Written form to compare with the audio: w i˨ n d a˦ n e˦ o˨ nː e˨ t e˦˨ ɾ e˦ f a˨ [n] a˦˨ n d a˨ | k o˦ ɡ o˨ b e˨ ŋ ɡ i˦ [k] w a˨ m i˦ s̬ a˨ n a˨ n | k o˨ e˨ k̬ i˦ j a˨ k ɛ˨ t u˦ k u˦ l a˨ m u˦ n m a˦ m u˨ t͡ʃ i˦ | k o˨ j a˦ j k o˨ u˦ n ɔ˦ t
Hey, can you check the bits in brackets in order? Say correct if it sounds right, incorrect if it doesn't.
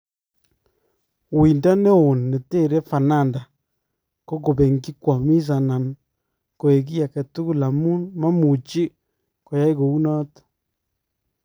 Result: correct, correct

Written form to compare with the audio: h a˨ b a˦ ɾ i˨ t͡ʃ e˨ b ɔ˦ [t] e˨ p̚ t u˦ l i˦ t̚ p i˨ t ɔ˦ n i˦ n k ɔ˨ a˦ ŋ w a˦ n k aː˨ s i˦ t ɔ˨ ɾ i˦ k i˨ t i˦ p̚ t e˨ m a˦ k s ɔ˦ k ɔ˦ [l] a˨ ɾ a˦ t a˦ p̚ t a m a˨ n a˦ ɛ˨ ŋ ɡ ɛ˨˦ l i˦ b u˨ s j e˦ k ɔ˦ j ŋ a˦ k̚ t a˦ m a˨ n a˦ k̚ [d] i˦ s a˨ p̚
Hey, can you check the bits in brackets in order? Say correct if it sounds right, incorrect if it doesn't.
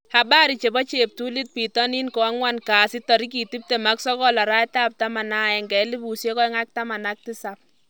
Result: incorrect: t͡ʃ, correct, incorrect: t

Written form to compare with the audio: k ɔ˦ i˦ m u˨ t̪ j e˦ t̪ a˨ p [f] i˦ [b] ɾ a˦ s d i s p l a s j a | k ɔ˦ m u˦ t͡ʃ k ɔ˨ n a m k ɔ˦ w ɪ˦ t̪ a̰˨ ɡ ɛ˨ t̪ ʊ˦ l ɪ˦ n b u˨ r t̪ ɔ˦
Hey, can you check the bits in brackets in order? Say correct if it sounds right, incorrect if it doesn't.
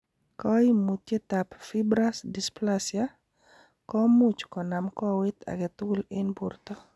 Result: correct, correct

